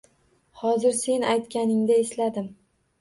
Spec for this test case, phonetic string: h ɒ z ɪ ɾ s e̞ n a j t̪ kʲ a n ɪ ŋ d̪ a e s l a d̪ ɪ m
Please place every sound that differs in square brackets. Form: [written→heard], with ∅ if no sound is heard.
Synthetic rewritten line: h ɒ z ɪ ɾ s e̞ n a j t̪ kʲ a n ɪ ŋ d̪ a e s l a d̪ ɪ m